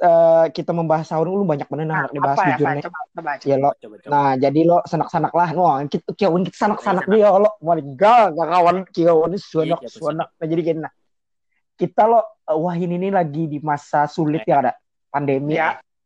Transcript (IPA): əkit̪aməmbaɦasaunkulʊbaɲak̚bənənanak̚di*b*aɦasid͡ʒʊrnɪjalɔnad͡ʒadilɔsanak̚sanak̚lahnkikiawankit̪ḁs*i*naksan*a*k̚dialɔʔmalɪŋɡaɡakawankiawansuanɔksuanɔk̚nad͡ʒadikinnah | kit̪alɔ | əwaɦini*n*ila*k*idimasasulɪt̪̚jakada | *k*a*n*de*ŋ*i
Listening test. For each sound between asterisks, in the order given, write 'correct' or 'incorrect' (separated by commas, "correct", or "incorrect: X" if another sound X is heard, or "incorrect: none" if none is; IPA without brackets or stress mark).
correct, incorrect: a, correct, correct, incorrect: ɡ, incorrect: p, correct, incorrect: m